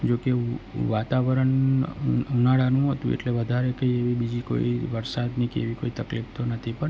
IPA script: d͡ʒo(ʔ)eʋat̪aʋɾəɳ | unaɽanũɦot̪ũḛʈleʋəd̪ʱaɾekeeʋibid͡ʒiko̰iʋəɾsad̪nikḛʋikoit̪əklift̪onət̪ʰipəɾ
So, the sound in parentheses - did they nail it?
no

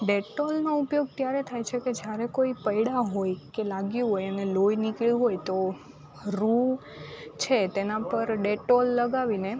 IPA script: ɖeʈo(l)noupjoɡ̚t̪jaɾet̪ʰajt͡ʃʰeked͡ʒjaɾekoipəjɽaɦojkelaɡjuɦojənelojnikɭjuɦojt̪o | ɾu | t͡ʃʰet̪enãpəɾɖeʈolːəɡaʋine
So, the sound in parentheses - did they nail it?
yes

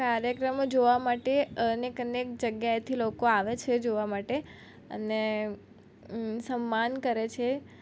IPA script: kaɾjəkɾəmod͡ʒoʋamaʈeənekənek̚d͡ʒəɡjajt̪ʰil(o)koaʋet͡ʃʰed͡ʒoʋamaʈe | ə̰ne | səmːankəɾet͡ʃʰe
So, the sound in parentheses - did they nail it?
yes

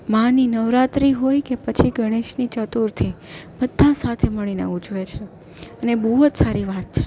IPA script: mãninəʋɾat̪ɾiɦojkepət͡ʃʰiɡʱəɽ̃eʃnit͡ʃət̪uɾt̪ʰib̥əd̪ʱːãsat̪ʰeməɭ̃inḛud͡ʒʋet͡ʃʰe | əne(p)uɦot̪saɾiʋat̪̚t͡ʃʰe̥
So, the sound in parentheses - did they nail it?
no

